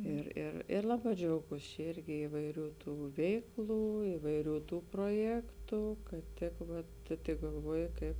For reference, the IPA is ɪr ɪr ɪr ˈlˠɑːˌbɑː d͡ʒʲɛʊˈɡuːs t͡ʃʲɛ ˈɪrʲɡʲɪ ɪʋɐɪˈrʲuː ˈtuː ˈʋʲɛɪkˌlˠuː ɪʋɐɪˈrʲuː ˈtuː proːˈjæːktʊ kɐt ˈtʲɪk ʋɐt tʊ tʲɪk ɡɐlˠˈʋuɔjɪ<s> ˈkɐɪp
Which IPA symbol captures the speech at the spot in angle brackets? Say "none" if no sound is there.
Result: none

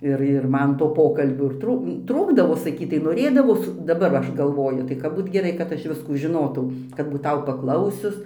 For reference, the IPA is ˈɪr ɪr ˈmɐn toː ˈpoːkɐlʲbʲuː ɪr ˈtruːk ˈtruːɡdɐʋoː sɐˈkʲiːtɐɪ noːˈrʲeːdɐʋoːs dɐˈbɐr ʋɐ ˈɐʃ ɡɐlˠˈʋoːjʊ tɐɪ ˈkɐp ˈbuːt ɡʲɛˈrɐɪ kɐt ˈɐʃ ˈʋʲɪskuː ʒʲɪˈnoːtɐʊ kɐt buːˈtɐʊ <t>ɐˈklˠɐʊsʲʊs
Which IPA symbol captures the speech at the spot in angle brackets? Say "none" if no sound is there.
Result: p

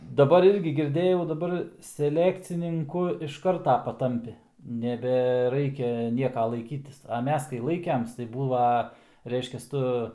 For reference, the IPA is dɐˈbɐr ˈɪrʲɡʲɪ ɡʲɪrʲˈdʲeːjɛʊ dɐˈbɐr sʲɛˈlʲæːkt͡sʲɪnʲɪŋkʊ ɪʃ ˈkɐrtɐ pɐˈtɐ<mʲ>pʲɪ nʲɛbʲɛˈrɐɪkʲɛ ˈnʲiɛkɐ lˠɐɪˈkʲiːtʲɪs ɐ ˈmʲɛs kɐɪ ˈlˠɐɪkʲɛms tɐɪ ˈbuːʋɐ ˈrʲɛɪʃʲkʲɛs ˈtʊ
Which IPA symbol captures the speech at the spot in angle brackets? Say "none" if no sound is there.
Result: mʲ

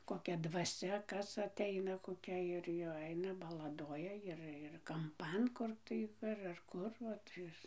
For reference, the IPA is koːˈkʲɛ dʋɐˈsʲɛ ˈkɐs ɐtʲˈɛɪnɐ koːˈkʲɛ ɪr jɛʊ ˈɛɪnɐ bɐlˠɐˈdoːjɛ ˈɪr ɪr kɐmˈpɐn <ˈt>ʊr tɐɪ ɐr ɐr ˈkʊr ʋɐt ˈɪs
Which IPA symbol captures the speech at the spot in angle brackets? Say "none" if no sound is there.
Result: k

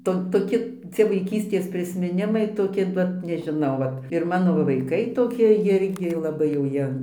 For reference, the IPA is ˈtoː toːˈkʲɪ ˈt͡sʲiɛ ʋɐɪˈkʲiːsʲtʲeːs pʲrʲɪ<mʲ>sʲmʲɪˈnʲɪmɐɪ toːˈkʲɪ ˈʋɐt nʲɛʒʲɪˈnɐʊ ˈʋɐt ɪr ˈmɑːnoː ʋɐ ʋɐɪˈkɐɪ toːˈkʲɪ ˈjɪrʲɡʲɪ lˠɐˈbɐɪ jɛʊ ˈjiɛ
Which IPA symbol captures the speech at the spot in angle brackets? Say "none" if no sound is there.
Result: none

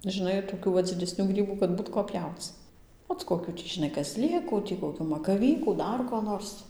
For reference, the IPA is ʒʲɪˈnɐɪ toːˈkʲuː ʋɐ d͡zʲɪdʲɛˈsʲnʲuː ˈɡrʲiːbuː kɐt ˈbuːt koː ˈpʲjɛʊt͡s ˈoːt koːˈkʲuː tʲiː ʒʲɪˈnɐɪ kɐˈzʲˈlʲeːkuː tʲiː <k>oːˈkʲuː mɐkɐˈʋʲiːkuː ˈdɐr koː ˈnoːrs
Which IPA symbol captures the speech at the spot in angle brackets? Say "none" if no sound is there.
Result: k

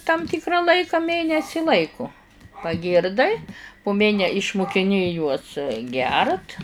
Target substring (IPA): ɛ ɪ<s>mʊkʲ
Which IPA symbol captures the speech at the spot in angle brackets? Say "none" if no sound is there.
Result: ʃ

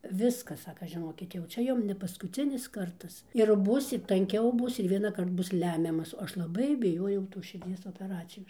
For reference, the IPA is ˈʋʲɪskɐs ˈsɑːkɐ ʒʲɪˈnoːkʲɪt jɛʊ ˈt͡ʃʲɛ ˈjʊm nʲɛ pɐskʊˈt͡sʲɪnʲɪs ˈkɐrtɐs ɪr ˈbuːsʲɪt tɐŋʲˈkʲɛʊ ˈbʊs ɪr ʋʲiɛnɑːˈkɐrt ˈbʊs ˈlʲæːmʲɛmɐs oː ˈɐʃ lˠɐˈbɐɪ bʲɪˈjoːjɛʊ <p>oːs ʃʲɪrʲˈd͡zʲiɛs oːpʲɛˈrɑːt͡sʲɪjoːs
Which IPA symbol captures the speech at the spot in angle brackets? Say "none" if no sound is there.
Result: t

